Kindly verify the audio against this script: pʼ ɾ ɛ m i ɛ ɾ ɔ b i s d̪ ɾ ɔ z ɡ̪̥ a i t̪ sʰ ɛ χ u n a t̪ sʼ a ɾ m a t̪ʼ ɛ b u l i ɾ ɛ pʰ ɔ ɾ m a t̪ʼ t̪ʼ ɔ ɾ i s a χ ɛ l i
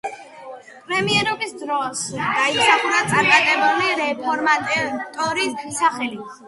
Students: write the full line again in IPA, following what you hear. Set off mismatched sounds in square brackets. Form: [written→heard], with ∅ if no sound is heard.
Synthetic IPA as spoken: pʼ ɾ ɛ m i ɛ ɾ ɔ b i s d̪ ɾ ɔ [z→s] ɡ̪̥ a i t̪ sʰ [ɛ→a] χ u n a t̪ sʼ a ɾ m a t̪ʼ ɛ b u l i ɾ ɛ pʰ ɔ ɾ m a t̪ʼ t̪ʼ ɔ ɾ i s a χ ɛ l i